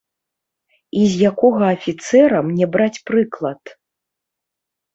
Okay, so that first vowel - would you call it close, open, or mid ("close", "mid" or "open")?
close